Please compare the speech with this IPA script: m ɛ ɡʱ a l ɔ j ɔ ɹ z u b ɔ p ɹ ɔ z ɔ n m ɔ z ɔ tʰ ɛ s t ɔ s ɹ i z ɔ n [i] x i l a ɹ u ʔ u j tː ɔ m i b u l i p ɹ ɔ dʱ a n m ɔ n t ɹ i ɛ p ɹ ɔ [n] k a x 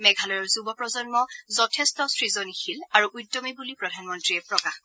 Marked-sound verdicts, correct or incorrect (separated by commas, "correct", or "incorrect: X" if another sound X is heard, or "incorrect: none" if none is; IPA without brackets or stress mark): correct, incorrect: none